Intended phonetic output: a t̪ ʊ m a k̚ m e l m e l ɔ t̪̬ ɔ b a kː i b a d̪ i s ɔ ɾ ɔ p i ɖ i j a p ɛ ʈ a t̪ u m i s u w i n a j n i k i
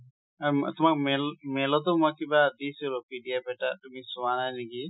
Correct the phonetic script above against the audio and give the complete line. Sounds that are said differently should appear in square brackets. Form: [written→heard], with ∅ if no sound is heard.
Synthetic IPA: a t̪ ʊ m a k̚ m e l m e l ɔ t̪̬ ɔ [b→m] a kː i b a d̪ i s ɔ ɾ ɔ p i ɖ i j a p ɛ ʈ a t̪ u m i s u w [i→a] n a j n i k i